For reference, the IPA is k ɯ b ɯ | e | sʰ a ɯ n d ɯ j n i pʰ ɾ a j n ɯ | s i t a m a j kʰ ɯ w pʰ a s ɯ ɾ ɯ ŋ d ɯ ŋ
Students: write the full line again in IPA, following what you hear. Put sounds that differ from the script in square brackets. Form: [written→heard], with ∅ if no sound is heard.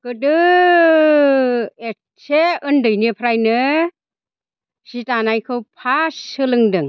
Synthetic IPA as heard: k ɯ [b→d] ɯ | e | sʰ [a→e] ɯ n d ɯ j n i pʰ ɾ a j n ɯ | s i t a [m→n] a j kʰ ɯ w pʰ a s ɯ [ɾ→l] ɯ ŋ d ɯ ŋ